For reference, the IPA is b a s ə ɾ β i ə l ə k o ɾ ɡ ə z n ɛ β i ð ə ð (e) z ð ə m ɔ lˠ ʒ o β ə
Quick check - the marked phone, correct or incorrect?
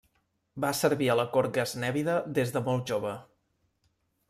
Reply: correct